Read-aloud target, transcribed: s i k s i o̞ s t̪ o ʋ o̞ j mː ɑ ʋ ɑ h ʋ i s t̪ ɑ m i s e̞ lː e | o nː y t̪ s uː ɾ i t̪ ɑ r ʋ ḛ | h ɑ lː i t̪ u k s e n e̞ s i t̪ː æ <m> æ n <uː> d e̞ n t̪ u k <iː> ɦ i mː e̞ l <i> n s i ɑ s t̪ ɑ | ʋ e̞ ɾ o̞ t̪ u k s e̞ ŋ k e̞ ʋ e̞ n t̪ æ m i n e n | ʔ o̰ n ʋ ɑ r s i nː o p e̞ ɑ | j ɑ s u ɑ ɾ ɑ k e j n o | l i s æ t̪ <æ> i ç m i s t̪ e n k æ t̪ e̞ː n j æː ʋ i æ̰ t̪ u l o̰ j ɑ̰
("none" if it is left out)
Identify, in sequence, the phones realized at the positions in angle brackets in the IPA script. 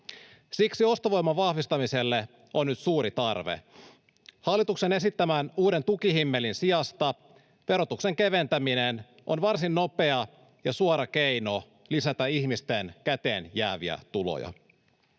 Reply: m, uː, i, i, æ

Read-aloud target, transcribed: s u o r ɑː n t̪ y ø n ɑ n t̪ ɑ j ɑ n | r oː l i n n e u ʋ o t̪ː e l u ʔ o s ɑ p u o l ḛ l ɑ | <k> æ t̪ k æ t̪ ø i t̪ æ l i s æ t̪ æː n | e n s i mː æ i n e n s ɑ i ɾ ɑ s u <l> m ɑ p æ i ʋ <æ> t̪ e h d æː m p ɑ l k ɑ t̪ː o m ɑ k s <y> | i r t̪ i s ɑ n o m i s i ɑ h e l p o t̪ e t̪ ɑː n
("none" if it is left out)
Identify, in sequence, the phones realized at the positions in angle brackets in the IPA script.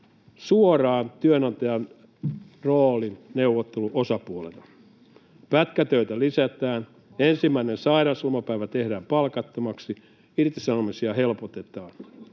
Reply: p, l, æ, i

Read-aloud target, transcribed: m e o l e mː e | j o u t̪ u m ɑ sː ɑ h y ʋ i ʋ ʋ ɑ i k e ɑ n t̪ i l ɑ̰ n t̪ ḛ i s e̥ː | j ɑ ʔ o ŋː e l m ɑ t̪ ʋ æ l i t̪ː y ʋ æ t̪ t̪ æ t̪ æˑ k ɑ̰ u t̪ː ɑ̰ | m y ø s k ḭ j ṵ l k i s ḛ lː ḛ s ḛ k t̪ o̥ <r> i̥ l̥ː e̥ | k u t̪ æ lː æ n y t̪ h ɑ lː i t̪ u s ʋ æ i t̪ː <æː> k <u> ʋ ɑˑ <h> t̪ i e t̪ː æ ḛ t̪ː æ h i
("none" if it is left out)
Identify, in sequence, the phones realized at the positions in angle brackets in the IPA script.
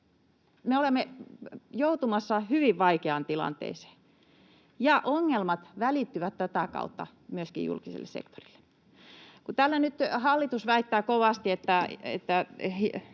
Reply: r, æː, o, s

